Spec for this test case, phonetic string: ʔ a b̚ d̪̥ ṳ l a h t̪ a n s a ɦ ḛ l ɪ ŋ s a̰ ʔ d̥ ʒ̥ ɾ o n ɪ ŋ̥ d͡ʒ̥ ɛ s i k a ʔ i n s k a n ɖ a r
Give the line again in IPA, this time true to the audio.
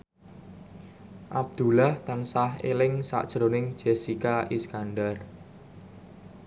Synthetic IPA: ʔ a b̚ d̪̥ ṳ l a h t̪ a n s a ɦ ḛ l ɪ ŋ s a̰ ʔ d̥ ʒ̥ ɾ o n ɪ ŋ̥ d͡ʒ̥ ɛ s i k a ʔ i s k a n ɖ a r

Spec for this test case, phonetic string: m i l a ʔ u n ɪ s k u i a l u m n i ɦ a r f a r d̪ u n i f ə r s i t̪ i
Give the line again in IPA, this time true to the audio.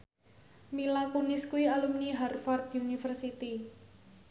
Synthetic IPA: m i l a k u n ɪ s k u i a l u m n i ɦ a r f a r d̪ u n i f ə r s i t̪ i

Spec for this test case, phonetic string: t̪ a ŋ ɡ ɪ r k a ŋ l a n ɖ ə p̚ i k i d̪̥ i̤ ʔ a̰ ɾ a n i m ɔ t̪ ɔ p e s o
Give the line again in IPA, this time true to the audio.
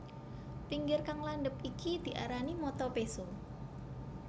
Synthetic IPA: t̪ i ŋ ɡ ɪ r k a ŋ l a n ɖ ə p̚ i k i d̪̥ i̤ ʔ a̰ ɾ a n i m ɔ t̪ ɔ p e s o

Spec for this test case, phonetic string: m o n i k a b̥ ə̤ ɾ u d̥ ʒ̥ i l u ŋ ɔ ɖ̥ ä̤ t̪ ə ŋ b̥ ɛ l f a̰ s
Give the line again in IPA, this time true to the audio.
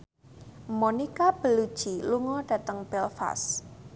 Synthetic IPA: m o n i k a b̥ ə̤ l u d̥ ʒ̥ i l u ŋ ɔ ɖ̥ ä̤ t̪ ə ŋ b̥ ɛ l f a̰ s

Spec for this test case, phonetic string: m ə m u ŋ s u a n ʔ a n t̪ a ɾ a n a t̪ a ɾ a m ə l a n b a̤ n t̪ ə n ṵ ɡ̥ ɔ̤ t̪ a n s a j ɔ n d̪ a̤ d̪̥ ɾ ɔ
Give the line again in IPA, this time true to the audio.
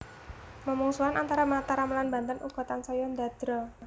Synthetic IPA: m ə m u ŋ s u a n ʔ a n t̪ a ɾ a m a t̪ a ɾ a m ə l a n b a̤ n t̪ ə n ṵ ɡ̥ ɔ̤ t̪ a n s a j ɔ n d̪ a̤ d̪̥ ɾ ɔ

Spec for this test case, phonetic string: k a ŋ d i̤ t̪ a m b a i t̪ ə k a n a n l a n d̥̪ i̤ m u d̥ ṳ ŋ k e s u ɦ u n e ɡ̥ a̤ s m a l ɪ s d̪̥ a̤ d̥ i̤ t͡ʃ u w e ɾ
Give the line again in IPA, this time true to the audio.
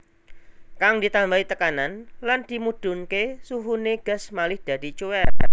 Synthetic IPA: k a ŋ d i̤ t̪ a m b a i t̪ ə k a n a n l a n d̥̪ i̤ m u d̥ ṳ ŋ k e s u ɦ u n e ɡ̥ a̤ s m a l ɪ h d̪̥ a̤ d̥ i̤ t͡ʃ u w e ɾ

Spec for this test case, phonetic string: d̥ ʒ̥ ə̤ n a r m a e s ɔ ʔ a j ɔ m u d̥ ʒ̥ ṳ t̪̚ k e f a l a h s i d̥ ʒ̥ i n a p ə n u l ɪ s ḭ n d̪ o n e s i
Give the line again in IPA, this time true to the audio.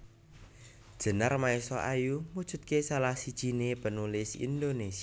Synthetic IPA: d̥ ʒ̥ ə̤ n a r m a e s ɔ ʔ a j u m u d̥ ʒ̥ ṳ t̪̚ k e s a l a h s i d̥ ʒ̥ i n e p ə n u l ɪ s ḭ n d̪ o n e s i

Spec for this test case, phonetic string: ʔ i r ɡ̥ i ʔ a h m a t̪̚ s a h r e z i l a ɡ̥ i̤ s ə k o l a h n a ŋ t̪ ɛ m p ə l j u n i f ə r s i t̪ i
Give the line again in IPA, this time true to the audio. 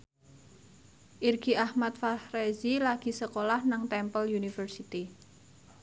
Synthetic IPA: ʔ i r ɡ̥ i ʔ a h m a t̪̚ f a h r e z i l a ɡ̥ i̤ s ə k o l a h n a ŋ t̪ ɛ m p ə l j u n i f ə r s i t̪ i

